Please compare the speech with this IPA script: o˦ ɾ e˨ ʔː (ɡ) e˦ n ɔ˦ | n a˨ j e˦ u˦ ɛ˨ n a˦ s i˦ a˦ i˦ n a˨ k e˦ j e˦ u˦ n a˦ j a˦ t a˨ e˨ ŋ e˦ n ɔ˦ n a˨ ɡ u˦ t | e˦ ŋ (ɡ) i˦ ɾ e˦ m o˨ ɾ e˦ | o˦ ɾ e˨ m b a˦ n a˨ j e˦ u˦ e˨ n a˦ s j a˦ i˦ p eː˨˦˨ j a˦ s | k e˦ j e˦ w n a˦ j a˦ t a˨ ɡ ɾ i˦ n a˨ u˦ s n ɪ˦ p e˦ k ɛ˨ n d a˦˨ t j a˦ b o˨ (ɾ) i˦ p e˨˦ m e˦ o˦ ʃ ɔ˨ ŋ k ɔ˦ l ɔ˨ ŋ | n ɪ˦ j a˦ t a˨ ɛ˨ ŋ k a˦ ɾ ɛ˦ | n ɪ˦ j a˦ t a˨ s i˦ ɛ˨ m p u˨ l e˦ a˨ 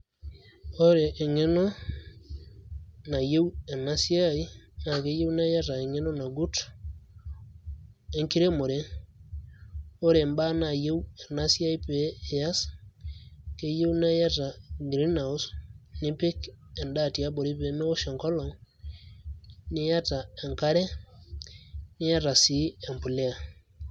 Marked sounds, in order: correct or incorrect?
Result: incorrect: ŋ, incorrect: k, correct

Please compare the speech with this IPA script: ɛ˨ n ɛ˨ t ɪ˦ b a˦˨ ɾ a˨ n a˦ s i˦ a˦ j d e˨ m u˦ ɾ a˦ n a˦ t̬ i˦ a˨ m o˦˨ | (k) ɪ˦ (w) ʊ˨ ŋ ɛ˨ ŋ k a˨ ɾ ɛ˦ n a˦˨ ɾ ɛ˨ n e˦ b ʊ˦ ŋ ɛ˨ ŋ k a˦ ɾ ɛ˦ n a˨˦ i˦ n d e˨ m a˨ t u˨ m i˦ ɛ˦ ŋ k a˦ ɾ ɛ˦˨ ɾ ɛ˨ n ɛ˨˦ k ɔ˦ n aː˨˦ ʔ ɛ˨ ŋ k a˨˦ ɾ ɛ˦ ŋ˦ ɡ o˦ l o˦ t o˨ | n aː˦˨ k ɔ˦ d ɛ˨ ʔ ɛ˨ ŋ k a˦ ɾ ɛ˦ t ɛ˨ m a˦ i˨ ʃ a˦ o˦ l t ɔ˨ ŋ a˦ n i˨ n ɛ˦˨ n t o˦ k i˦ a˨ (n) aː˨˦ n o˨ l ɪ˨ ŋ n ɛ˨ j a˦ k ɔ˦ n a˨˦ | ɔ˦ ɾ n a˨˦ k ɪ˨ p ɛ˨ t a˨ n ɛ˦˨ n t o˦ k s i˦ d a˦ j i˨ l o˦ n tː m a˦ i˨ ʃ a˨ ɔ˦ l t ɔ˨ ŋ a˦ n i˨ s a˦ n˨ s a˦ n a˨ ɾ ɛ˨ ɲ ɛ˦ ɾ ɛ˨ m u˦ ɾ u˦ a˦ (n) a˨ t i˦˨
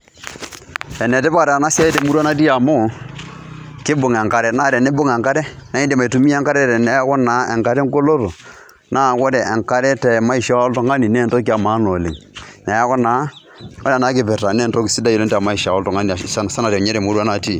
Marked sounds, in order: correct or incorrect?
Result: correct, incorrect: b, incorrect: m, correct

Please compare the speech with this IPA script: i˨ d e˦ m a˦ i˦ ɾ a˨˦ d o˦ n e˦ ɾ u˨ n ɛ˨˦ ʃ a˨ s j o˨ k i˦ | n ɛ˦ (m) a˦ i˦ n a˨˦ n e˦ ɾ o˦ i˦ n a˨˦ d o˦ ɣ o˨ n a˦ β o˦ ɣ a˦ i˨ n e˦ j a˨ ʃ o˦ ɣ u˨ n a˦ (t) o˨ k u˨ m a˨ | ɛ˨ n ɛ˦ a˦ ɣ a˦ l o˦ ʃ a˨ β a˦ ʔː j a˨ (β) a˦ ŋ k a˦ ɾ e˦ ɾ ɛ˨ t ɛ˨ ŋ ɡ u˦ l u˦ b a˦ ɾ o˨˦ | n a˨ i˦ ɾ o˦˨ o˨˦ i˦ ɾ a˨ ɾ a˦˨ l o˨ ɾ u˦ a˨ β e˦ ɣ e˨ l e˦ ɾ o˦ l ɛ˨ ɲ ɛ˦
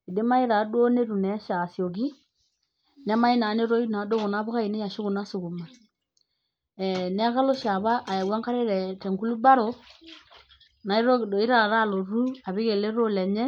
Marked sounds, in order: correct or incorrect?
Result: correct, incorrect: s, incorrect: w

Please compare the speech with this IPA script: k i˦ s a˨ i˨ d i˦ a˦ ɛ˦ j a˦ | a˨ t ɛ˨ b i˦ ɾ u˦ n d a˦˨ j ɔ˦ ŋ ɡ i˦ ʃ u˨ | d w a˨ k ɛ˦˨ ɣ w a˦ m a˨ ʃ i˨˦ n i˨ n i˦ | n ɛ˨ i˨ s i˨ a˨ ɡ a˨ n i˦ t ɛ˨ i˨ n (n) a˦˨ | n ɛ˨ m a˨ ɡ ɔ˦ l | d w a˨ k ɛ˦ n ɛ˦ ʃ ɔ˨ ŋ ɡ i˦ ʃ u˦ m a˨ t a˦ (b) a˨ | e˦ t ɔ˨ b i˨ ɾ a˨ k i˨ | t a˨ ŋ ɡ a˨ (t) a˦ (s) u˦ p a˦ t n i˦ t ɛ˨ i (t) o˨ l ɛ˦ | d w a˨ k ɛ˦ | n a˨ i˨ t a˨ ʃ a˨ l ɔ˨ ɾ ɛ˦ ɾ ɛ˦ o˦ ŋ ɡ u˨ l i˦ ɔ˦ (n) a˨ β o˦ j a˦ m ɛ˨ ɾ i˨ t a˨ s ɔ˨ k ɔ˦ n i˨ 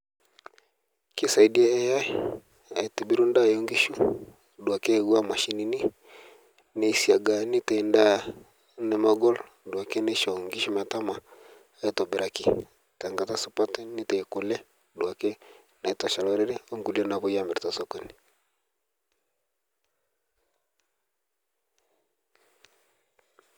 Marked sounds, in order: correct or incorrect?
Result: incorrect: d, incorrect: m, correct, correct, incorrect: k, correct

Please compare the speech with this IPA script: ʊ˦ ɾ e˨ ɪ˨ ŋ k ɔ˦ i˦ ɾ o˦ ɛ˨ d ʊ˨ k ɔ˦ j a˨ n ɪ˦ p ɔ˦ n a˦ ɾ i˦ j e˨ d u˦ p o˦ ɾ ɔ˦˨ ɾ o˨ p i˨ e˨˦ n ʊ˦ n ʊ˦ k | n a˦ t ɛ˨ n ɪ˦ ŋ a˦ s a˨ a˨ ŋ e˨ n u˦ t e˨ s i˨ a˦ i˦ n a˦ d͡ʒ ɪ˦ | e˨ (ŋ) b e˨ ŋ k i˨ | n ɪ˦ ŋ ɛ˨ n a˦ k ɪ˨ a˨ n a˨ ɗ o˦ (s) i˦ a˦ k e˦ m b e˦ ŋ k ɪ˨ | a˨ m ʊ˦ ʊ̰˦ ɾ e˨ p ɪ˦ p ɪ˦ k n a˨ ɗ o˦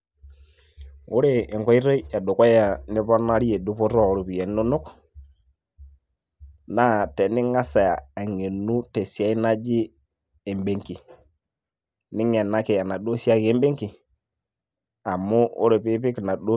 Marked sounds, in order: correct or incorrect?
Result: incorrect: m, correct

